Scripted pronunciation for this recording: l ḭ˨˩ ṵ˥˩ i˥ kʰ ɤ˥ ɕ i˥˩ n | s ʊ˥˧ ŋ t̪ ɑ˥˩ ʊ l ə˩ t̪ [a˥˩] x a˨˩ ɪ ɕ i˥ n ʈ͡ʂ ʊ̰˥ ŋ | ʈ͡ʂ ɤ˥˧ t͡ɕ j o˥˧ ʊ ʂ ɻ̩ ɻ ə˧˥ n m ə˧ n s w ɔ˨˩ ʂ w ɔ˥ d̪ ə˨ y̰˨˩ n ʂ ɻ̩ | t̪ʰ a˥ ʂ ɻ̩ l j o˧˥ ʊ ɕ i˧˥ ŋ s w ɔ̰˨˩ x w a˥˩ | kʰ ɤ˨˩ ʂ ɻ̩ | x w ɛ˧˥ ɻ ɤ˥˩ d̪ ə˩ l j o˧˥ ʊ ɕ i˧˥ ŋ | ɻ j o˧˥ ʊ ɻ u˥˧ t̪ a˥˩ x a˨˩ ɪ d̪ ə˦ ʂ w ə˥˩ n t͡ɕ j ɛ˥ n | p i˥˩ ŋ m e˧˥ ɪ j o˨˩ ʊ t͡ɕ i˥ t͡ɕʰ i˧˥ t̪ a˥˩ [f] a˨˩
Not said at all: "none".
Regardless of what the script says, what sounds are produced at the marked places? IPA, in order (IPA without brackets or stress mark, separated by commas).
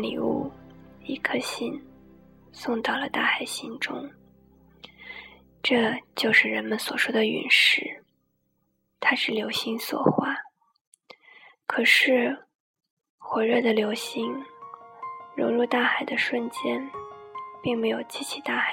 a˥˩, x